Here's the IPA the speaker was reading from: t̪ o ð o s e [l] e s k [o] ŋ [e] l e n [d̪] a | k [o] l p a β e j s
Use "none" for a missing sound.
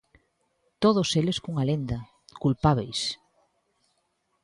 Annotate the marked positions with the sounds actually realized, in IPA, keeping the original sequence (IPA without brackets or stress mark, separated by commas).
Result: l, u, a, d̪, u